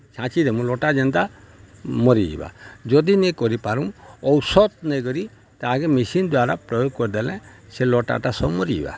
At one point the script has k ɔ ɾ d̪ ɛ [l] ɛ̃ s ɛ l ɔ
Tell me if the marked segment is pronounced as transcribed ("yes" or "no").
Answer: yes